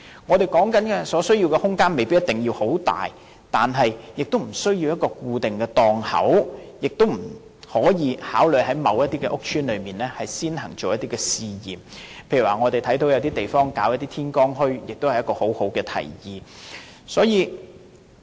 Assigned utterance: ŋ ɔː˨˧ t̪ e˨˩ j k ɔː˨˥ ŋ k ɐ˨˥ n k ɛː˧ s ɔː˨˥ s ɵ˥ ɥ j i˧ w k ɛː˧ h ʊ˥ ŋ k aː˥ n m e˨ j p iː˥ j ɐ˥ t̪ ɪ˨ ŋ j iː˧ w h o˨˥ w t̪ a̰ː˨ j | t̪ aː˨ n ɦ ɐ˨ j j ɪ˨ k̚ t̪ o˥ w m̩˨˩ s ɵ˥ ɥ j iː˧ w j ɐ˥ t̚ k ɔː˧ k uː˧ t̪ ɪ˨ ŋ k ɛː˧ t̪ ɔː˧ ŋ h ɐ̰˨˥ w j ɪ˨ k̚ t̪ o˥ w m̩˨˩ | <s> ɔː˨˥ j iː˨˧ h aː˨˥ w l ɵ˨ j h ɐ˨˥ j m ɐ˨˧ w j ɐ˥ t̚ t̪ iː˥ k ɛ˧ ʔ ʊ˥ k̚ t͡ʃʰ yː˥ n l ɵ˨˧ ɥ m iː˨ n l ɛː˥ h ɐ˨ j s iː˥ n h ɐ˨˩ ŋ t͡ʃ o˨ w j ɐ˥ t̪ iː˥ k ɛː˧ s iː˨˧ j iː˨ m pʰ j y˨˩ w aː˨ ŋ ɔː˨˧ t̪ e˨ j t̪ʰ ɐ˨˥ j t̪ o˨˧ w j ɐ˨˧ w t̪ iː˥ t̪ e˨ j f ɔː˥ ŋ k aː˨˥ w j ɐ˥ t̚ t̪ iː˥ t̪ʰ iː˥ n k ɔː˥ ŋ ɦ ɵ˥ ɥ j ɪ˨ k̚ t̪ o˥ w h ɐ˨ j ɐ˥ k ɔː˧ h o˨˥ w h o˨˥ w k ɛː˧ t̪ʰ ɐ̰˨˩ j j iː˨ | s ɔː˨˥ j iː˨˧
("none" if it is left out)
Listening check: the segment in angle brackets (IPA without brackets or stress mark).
h